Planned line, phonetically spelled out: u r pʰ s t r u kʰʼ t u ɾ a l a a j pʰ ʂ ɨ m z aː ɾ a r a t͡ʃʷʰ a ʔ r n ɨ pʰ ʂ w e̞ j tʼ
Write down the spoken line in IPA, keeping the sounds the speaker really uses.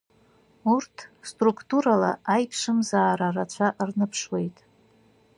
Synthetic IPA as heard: u r tʰ s t r u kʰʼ t u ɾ a l a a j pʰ ʂ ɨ m z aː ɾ a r a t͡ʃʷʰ a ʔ r n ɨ pʰ ʂ w e̞ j tʼ

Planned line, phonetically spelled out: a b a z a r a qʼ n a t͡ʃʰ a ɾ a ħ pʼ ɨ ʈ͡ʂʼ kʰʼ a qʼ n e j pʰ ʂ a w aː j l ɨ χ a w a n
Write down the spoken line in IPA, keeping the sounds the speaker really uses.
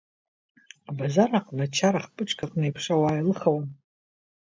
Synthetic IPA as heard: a b a z a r a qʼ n a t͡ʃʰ a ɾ a χ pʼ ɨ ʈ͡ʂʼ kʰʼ a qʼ n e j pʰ ʂ a w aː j l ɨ χ a w a n

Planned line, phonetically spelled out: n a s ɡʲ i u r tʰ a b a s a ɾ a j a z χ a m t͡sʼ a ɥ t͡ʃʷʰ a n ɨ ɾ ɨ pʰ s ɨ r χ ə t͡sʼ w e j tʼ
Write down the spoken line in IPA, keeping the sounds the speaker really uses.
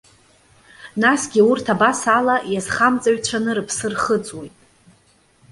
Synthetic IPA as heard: n a s ɡʲ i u r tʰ a b a s a l a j a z χ a m t͡sʼ a ɥ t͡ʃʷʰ a n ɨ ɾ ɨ pʰ s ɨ r χ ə t͡sʼ w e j tʼ

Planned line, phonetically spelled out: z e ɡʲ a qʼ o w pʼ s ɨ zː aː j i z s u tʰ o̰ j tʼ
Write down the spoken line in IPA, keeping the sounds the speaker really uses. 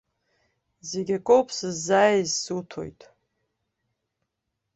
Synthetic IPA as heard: z e ɡʲ a kʼ o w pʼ s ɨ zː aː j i z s u tʰ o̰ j tʼ

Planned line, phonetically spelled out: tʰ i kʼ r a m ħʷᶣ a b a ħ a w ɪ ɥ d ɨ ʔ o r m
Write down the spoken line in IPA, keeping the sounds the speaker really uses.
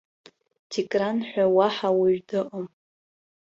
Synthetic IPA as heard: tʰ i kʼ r a n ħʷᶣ a w a ħ a w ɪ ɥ d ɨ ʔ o m

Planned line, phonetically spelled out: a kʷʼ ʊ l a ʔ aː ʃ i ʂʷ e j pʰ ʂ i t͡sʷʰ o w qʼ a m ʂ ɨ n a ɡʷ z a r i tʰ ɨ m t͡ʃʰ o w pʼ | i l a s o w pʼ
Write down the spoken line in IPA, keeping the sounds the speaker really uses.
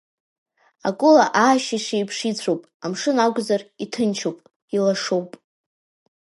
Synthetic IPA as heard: a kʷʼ ʊ l a ʔ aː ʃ i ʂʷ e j pʰ ʂ i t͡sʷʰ o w pʼ a m ʂ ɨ n a ɡʷ z a r i tʰ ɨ n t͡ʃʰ o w pʼ | i l a ʂ o w pʼ

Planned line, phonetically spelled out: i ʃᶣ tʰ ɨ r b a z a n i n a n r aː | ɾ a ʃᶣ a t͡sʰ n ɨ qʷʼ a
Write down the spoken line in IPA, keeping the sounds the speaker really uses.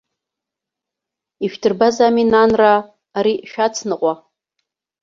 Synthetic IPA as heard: i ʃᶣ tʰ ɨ r b a z a m i n a n r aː | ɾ i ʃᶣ a t͡sʰ n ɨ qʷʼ a

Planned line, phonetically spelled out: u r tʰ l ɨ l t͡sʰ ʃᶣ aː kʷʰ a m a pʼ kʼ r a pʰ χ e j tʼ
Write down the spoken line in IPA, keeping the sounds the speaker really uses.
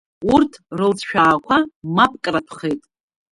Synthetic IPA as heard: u r tʰ r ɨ l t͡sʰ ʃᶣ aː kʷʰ a m a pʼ kʼ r a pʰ χ e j tʼ

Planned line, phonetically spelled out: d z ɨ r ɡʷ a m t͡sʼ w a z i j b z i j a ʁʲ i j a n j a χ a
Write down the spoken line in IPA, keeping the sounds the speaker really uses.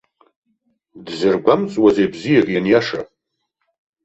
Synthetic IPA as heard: d z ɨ r ɡʷ a m t͡sʼ w a z e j b z i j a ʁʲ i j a n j a ʂ a

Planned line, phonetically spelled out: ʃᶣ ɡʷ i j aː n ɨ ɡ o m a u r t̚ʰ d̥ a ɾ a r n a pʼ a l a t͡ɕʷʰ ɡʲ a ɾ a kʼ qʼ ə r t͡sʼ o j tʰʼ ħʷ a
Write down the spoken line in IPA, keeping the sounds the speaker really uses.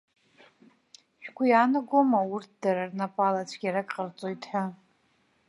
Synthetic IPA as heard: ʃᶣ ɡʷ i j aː n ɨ ɡ o m a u r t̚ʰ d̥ a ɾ a r n a pʼ a l a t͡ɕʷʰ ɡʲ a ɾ a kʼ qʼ ə r t͡sʼ o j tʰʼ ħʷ a

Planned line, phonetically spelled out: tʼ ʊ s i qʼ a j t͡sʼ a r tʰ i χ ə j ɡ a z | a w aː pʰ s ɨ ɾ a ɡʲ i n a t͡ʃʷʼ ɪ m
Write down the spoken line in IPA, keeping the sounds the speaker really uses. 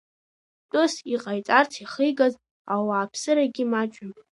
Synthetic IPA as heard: tʼ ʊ s i qʼ a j t͡sʼ a r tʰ i χ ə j ɡ a z | a w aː pʰ s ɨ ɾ a ɡʲ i m a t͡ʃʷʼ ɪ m

